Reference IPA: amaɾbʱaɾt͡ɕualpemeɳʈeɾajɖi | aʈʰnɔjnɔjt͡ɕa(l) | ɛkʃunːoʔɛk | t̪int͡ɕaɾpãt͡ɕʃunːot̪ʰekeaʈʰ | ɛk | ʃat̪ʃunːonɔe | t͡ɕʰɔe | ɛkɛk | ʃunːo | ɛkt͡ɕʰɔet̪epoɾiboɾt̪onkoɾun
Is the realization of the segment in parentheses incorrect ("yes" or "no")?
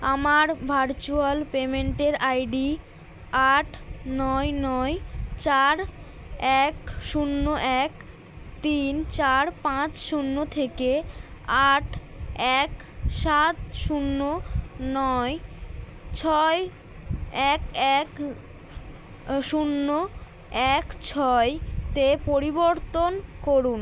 yes